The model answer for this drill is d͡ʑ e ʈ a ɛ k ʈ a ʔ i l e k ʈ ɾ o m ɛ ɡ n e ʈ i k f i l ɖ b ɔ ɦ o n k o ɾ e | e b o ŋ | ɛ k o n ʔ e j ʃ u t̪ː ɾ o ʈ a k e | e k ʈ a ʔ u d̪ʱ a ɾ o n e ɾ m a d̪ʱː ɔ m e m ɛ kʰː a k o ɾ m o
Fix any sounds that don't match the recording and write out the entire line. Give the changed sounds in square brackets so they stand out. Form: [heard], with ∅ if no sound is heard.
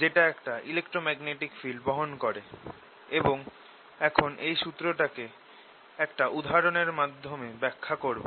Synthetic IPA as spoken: d͡ʑ e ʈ a ɛ k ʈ a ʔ i l e k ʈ ɾ o m ɛ ɡ n e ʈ i k f i l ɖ b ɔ ɦ o n k o ɾ e | e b o ŋ | ɛ [kʰ] o n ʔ e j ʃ u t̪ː ɾ o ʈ a k e | [ɛ] k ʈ a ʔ u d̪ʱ a ɾ o n e ɾ m a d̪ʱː [o] m e [b] ɛ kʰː a k o ɾ [b] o

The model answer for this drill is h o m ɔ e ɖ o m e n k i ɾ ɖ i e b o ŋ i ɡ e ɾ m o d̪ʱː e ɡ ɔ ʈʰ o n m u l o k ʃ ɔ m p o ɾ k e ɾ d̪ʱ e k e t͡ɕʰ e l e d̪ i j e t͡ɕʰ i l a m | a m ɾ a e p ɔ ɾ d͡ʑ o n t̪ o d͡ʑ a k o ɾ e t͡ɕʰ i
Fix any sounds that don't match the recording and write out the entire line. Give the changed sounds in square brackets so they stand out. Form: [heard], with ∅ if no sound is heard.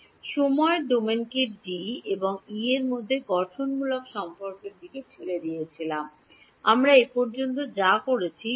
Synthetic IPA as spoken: [ʃ] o m ɔ e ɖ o m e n k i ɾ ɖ i e b o ŋ i [∅] e ɾ m o d̪ʱː e ɡ ɔ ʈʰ o n m u l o k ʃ ɔ m p o ɾ k e ɾ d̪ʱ [i] k e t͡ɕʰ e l e d̪ i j e t͡ɕʰ i l a m | a m ɾ a e p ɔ ɾ d͡ʑ o n t̪ o d͡ʑ a k o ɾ e t͡ɕʰ i

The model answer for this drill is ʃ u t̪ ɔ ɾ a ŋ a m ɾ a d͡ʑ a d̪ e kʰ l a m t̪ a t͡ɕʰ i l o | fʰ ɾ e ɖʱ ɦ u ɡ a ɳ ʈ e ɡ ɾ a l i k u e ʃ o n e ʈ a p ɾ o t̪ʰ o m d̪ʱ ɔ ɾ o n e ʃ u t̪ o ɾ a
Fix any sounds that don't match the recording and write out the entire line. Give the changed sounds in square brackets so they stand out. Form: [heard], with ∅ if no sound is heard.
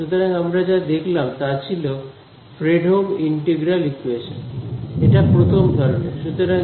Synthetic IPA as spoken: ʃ u t̪ [o] ɾ a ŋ a m ɾ a d͡ʑ a d̪ e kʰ l a m t̪ a t͡ɕʰ i l o | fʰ ɾ e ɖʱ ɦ [o] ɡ [i] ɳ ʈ e ɡ ɾ a l i k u e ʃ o n e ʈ a p ɾ o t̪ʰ o m d̪ʱ ɔ ɾ o n e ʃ u t̪ o ɾ a

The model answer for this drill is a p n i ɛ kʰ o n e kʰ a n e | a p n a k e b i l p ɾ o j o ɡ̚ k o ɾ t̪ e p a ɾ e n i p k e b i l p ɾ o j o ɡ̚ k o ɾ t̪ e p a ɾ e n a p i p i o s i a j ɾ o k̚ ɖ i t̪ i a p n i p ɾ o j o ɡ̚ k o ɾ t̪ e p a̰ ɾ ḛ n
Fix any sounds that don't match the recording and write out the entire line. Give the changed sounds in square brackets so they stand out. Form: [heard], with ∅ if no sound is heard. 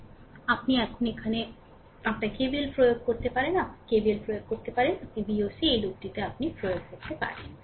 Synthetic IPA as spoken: a p n i ɛ kʰ o n e kʰ a n e | a p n a k e b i l p ɾ o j o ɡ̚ k o ɾ t̪ e p a ɾ e n [a] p k e b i l p ɾ o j o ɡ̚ k o ɾ t̪ e p a ɾ e n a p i [b] i o s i [e] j [l] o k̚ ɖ i t̪ [e] a p n i p ɾ o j o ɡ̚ k o ɾ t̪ e p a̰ ɾ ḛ n

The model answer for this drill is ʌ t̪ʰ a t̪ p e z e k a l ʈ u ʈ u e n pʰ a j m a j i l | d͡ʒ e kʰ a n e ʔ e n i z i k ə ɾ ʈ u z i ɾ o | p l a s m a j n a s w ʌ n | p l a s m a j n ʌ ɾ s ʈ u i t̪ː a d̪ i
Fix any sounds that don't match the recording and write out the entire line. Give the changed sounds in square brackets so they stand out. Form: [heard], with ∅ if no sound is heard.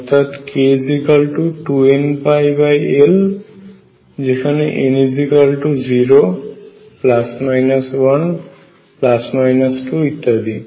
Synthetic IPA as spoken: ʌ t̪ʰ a t̪ [k] e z [i] k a l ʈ u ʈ u e n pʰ a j [b] a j [e] l | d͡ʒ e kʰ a n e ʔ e n i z i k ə [l] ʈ u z i ɾ o | p l a s m a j n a s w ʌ n | p l a s m a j n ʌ [∅] s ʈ u i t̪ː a d̪ i

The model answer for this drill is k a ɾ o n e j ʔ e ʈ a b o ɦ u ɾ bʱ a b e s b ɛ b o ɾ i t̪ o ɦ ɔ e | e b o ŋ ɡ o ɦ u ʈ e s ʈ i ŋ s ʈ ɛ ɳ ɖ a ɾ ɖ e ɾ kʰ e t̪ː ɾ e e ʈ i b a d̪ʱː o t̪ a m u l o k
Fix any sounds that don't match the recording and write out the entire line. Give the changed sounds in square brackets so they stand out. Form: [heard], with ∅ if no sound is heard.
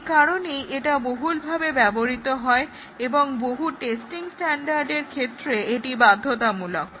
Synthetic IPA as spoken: k a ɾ o n e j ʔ e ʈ a b o ɦ u [l] bʱ a b e [∅] b ɛ b o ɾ i t̪ o ɦ ɔ e | e b o ŋ [b] o ɦ u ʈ e s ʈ i ŋ s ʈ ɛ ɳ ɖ a ɾ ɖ e ɾ kʰ e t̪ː ɾ e e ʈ i b a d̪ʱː o t̪ a m u l o k

